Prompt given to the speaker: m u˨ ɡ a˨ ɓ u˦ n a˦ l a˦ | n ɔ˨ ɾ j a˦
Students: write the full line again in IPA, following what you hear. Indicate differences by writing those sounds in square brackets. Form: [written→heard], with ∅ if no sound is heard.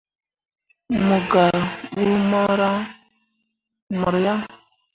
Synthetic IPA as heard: m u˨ ɡ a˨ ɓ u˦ [n→m] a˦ [l→ɾ] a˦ | [n→m] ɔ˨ ɾ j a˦

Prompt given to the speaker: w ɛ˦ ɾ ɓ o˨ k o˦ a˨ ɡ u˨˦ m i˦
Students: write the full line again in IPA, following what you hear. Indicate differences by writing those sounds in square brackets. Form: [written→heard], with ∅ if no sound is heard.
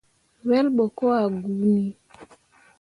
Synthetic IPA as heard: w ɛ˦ [ɾ→l] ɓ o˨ k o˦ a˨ ɡ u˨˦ [m→n] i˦

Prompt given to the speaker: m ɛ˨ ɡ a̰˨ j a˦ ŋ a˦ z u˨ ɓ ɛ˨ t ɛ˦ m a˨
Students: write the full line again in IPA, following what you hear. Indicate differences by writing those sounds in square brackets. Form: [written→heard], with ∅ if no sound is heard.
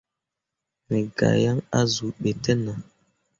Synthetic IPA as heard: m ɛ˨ ɡ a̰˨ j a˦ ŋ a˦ z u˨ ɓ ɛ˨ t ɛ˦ [m→n] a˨

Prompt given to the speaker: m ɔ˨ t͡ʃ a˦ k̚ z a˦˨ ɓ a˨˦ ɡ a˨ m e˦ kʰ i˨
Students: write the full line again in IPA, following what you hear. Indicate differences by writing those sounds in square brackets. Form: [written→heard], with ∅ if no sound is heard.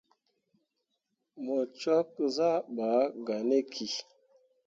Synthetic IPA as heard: m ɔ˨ t͡ʃ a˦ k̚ z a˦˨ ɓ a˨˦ ɡ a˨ [m→n] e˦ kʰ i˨

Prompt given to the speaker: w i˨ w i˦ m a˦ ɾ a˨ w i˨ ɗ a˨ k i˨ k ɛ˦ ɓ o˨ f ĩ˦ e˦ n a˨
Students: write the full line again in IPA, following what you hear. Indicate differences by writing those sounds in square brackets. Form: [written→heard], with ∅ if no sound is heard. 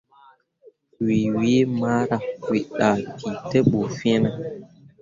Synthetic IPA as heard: w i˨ w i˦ m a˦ ɾ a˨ w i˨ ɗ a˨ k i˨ [k→t] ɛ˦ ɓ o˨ f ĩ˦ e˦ n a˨

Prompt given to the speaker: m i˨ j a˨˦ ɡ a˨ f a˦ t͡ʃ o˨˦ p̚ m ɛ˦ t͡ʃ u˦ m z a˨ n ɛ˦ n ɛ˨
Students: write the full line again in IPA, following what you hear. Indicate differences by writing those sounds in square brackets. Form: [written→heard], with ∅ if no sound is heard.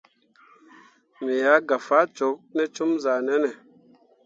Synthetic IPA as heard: m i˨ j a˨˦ ɡ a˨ f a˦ t͡ʃ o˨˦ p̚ [m→n] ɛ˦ t͡ʃ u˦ m z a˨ n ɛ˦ n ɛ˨

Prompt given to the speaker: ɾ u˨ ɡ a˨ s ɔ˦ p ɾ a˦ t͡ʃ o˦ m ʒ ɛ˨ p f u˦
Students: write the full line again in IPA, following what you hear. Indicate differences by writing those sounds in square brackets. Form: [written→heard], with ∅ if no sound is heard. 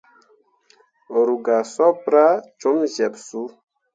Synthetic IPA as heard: ɾ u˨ ɡ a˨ s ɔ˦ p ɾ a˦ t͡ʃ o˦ m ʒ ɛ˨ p [f→s] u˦

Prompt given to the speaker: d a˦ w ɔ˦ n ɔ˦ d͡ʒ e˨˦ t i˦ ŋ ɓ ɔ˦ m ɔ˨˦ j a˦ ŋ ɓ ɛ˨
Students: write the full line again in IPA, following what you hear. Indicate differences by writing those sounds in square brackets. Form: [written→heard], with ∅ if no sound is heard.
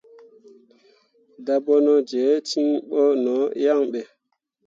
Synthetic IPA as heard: d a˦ [w→b] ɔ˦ n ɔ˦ d͡ʒ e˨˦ t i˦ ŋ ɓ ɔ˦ [m→n] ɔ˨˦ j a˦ ŋ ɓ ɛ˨

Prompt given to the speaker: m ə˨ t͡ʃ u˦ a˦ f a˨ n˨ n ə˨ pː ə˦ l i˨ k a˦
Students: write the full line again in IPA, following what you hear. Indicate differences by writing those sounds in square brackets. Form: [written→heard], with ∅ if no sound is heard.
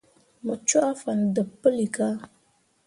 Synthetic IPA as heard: m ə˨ t͡ʃ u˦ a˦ f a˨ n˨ [n→d] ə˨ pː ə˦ l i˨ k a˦

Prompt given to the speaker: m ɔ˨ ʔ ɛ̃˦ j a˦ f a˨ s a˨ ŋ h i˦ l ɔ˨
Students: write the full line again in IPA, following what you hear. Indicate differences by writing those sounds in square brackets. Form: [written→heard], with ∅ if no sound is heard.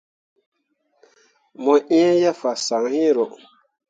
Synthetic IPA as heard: m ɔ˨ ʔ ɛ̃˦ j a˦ f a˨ s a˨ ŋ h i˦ [l→ɾ] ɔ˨

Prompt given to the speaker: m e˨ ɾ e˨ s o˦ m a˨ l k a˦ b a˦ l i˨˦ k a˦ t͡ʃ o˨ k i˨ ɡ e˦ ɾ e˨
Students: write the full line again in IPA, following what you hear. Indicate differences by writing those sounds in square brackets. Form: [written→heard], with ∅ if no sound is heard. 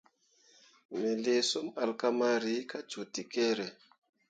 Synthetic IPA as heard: m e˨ [ɾ→l] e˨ s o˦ m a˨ l k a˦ [b→m] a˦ [l→ɾ] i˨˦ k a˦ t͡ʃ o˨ [k→t] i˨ [ɡ→k] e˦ ɾ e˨

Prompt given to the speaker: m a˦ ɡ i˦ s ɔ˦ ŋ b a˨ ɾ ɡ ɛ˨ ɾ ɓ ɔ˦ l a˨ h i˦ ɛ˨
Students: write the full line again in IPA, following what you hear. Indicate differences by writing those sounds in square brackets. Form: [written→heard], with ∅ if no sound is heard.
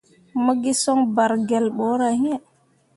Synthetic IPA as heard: m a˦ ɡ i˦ s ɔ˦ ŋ b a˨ ɾ ɡ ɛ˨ [ɾ→l] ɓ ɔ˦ [l→ɾ] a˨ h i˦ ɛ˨

